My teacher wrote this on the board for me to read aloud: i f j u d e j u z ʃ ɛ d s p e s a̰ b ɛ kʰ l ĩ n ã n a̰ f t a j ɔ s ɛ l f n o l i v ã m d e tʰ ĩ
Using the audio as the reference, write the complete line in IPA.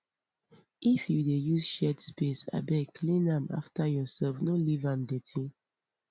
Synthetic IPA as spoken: i f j u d e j u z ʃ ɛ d s p e s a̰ b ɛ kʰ l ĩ n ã m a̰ f t a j ɔ s ɛ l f n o l i v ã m d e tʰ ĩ